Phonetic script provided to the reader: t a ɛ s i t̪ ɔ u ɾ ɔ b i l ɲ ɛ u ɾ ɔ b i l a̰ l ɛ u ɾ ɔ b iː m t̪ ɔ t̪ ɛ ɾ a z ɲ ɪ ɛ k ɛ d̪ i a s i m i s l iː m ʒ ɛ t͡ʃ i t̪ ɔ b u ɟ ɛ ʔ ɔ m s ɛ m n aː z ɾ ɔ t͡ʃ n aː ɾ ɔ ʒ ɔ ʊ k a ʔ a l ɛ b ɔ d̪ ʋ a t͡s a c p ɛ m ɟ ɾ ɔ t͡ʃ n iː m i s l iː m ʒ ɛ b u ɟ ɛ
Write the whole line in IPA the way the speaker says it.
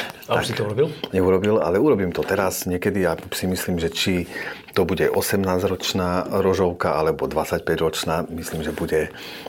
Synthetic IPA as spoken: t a a s i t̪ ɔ u ɾ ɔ b i l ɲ ɛ u ɾ ɔ b i l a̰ l ɛ u ɾ ɔ b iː m t̪ ɔ t̪ ɛ ɾ a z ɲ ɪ ɛ k ɛ d̪ i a s i m i s l iː m ʒ ɛ t͡ʃ i t̪ ɔ b u ɟ ɛ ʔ ɔ s ɛ m n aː z ɾ ɔ t͡ʃ n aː ɾ ɔ ʒ ɔ ʊ k a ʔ a l ɛ b ɔ d̪ ʋ a t͡s a c p ɛ ɟ ɾ ɔ t͡ʃ n aː m i s l iː m ʒ ɛ b u ɟ ɛ